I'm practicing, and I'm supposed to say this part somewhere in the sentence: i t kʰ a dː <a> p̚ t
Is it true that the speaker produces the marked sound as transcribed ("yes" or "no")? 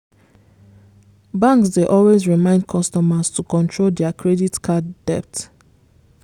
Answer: no